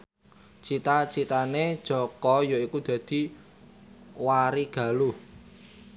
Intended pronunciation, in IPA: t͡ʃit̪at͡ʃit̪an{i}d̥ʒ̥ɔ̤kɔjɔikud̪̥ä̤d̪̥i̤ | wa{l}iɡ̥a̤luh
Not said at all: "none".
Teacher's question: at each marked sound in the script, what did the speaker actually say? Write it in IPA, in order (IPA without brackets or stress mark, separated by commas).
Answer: e, ɾ